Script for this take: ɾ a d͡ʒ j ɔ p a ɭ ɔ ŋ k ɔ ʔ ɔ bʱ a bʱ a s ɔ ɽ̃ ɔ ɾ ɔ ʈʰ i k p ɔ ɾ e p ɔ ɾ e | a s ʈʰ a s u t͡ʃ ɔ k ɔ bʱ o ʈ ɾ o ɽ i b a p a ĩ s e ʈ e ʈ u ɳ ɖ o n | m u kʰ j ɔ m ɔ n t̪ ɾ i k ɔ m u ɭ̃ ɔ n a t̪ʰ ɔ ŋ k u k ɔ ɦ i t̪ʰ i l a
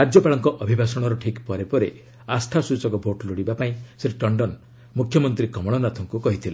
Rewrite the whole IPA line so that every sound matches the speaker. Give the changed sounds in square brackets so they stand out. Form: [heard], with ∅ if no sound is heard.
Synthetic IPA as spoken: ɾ a d͡ʒ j ɔ p a ɭ ɔ ŋ k ɔ ʔ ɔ bʱ [i] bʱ a s ɔ ɽ̃ ɔ ɾ ɔ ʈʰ i k p ɔ ɾ e p ɔ ɾ e | a s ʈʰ a s u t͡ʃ ɔ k ɔ bʱ o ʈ [l] o ɽ i b a p a ĩ s e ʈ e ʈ [ɔ] ɳ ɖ [ɔ] n | m u kʰ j ɔ m ɔ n t̪ ɾ i k ɔ m [ɔ] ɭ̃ ɔ n a t̪ʰ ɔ ŋ k u k ɔ ɦ i t̪ʰ i l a